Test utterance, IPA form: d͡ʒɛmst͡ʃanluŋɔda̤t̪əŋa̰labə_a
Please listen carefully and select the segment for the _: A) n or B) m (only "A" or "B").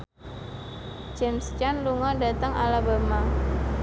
B